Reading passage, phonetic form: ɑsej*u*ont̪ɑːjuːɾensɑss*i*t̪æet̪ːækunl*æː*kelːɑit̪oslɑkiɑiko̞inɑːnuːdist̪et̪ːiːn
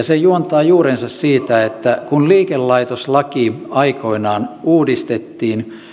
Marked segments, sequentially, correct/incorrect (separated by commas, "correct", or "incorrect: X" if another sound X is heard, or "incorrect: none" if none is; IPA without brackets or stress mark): correct, incorrect: iː, incorrect: iː